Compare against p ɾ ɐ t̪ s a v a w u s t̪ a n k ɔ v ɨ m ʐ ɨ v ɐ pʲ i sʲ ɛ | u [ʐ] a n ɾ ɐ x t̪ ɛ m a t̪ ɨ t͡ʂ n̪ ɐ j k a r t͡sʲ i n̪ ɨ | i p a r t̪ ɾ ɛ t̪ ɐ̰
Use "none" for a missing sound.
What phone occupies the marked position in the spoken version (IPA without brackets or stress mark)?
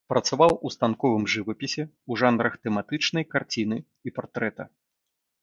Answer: ʐ